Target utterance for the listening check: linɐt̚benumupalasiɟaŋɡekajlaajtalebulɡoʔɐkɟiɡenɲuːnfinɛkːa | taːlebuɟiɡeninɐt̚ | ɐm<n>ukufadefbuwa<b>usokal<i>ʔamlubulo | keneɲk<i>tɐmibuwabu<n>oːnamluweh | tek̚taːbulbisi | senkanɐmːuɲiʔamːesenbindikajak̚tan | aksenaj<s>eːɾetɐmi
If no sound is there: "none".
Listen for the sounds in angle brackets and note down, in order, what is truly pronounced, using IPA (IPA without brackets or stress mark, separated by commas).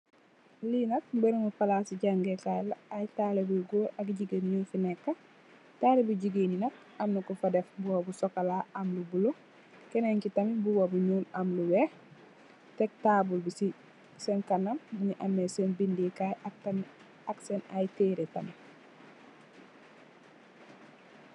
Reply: n, b, a, i, ɲ, t